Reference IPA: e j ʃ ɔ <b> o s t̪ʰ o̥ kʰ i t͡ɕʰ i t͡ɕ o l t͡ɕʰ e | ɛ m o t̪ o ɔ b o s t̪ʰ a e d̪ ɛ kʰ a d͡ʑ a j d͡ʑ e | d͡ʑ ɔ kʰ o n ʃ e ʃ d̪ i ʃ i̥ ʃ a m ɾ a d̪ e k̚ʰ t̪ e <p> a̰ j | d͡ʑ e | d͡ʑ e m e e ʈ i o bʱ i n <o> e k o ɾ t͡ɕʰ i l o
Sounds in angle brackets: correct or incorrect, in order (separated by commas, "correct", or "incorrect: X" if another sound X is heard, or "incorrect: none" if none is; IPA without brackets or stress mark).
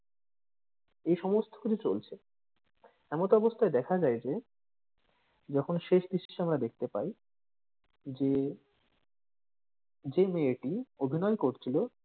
incorrect: m, correct, incorrect: ɔ